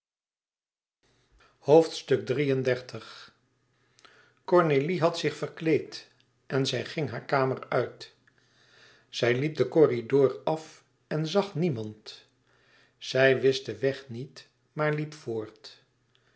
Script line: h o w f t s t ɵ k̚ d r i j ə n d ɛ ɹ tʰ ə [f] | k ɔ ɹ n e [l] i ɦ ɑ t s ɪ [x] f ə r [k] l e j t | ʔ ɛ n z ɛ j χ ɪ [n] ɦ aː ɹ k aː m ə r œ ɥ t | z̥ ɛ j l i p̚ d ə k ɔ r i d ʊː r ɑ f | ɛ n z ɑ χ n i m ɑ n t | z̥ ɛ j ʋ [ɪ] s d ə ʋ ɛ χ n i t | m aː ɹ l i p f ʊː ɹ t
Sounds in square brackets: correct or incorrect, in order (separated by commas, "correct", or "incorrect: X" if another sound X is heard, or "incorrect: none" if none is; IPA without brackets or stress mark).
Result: incorrect: χ, correct, incorrect: χ, correct, incorrect: ŋ, correct